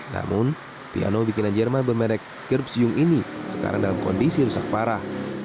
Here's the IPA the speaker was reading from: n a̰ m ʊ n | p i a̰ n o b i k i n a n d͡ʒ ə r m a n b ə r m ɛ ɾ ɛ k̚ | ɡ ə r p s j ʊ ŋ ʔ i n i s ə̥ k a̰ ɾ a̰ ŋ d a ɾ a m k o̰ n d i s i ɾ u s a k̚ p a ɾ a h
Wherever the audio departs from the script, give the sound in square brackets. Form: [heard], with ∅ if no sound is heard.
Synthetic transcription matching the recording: n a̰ m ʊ n | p i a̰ n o b i k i n a n d͡ʒ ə r m a n b ə r m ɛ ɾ ɛ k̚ | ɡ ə r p s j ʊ ŋ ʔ i n i s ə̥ k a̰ ɾ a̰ ŋ d a [l] a m k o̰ n d i s i ɾ u s a k̚ p a ɾ a h